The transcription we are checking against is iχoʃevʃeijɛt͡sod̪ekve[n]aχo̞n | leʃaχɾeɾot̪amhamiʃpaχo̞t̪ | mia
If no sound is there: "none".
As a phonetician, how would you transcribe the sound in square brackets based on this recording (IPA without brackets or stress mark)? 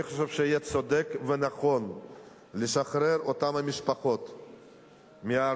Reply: n